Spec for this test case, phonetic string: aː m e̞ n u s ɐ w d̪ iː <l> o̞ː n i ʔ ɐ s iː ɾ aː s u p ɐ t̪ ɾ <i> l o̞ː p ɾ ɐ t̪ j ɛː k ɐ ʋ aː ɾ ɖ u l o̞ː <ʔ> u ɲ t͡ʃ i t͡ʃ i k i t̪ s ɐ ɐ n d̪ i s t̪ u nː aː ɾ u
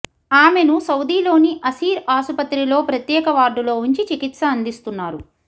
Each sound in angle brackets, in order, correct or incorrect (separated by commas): correct, correct, incorrect